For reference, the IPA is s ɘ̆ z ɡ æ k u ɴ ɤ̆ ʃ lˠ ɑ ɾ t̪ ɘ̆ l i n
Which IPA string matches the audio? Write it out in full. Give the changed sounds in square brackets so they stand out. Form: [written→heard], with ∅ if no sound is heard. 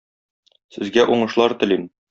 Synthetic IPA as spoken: s ɘ̆ z ɡ æ [k→ʔ] u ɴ ɤ̆ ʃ lˠ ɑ ɾ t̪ ɘ̆ l i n